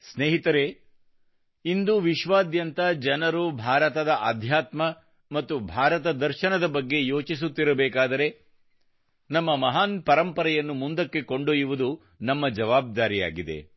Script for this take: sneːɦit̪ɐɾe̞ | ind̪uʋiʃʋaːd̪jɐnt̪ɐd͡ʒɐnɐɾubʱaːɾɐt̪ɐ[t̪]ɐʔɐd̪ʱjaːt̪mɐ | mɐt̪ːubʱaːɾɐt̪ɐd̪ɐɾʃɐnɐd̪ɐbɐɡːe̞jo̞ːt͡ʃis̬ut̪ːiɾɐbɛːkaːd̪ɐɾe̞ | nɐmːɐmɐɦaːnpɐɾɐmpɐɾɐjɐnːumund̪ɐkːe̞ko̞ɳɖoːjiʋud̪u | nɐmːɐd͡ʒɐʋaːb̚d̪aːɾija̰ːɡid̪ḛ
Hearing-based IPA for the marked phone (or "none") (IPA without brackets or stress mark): d̪